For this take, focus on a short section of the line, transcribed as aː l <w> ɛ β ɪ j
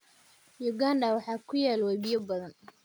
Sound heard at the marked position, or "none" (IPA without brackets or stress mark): w